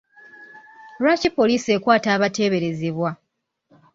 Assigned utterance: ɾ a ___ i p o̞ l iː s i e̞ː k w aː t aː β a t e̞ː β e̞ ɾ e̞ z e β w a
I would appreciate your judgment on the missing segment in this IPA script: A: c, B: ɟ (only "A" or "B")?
A